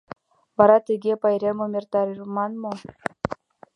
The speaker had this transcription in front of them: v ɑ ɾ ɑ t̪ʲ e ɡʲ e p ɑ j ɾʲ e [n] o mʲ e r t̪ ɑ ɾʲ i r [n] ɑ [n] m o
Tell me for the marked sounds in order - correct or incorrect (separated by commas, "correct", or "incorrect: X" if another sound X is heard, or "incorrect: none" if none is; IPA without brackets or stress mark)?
incorrect: m, incorrect: m, correct